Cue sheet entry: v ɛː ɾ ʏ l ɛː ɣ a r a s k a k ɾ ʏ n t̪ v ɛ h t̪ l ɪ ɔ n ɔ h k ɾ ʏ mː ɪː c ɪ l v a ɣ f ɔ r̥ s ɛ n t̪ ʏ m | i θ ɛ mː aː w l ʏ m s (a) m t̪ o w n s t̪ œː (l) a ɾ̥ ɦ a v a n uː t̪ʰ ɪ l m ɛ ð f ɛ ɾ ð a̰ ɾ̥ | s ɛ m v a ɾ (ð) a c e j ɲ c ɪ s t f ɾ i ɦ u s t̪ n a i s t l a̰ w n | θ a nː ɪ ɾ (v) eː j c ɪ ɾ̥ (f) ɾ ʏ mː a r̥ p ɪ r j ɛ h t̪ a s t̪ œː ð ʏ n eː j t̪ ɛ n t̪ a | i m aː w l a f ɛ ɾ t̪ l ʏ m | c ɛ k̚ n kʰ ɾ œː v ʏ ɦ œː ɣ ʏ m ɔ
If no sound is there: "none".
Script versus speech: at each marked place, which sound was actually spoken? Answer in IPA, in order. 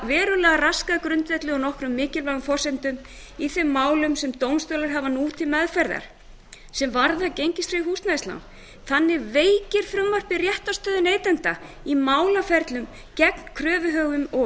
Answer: ɛ, l, ð, v, f

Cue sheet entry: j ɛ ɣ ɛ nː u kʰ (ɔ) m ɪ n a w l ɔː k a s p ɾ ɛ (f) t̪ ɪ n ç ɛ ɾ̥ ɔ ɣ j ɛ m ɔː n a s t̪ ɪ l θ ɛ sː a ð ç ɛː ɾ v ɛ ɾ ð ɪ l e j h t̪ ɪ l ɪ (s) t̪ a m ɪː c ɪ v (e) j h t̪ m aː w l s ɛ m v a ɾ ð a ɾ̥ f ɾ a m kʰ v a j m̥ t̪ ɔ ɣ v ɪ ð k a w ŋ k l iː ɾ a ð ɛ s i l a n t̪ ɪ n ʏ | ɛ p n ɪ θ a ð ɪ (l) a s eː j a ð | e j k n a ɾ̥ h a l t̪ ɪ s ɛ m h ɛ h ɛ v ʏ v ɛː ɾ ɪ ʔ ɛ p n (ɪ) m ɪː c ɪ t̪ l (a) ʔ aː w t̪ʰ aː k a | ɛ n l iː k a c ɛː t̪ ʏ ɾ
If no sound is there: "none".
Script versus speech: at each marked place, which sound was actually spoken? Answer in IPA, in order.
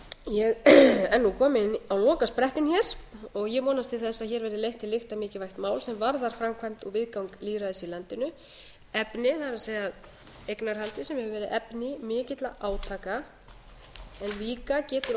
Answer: ɔː, h, x, a, ɾ, ɪ, a

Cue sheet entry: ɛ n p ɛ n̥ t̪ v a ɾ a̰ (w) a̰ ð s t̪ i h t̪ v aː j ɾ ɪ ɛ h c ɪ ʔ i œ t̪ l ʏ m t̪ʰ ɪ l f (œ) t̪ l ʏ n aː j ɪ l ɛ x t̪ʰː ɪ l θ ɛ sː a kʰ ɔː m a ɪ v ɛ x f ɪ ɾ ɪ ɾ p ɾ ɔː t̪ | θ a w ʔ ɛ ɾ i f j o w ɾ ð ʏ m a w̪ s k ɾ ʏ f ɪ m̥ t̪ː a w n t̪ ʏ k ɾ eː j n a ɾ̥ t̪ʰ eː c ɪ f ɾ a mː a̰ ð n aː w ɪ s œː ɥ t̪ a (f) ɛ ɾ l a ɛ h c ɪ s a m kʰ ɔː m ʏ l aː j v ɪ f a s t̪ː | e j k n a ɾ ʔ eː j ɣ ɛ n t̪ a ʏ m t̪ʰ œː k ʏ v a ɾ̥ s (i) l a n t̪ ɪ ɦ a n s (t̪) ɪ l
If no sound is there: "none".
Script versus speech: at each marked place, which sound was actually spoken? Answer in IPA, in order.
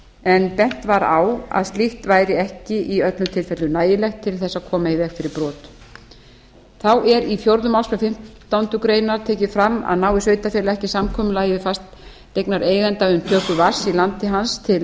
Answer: w, ɛ, f, i, t̪ʰ

